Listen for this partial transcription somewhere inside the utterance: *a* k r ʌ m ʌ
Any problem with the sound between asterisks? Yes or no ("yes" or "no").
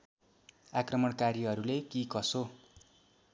no